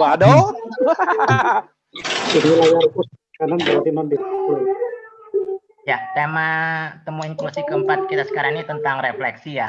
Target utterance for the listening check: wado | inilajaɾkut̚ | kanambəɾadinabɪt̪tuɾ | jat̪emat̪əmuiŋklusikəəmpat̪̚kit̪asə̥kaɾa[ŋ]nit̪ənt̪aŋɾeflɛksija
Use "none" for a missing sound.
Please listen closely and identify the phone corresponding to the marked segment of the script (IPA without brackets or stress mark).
ŋ